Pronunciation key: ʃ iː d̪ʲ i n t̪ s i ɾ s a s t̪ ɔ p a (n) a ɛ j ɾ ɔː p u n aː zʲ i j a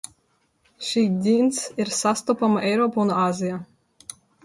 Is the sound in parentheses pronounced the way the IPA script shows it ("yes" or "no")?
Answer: no